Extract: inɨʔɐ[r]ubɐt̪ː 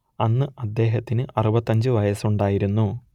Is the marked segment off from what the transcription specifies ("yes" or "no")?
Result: no